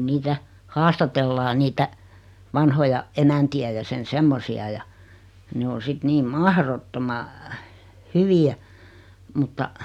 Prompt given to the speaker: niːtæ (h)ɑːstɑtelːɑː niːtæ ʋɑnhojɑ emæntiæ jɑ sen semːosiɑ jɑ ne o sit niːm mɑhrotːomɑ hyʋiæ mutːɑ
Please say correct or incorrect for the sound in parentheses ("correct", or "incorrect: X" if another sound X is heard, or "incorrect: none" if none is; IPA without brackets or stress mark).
correct